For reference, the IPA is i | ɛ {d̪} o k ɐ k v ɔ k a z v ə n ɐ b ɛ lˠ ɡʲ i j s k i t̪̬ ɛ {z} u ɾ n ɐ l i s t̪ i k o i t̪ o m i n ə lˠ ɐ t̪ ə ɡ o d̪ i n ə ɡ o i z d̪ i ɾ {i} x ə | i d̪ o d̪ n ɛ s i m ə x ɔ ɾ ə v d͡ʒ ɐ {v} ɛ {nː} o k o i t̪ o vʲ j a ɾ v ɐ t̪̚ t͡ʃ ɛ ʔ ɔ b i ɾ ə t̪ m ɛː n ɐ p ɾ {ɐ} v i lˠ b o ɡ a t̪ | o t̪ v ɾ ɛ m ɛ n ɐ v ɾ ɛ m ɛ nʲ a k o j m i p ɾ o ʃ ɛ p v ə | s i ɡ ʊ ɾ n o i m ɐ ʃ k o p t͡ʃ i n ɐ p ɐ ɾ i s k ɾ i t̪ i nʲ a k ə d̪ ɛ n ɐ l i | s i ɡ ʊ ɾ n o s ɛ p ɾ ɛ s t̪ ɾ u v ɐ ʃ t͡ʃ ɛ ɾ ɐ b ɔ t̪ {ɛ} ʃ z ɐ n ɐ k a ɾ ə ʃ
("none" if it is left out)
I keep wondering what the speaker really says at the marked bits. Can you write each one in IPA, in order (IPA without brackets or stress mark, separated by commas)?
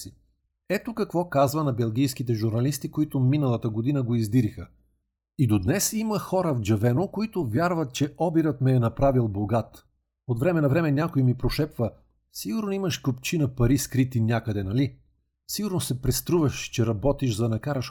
t̪, ʒ, i, v, n, a, i